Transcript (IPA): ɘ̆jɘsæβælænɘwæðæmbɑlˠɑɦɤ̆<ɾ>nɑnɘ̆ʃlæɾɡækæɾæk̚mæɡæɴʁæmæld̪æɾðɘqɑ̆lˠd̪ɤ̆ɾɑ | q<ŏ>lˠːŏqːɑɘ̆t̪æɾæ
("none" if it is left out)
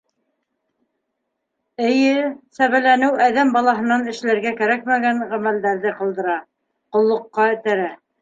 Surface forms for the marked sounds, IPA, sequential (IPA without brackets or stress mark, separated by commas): none, ŏ